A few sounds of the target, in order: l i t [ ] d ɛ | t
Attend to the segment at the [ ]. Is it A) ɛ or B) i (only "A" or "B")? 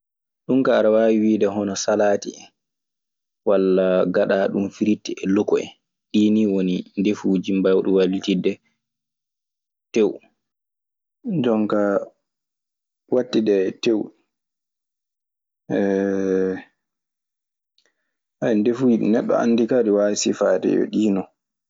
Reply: B